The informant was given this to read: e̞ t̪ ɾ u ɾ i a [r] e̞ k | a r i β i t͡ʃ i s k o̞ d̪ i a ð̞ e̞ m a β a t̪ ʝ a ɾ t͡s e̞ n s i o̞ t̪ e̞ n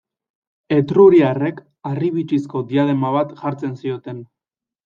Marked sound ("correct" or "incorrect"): correct